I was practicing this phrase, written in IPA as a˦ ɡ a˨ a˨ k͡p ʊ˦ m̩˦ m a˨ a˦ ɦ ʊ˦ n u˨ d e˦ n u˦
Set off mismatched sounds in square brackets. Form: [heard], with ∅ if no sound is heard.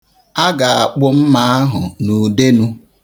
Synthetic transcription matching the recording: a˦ ɡ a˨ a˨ k͡p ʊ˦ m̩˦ m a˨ a˦ ɦ [ʊ˨] n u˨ d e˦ n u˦